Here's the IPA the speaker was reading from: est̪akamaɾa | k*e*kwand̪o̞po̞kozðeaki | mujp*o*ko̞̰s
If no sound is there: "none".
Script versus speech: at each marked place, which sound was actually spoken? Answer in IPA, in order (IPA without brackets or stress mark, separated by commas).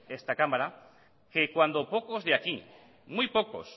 e, o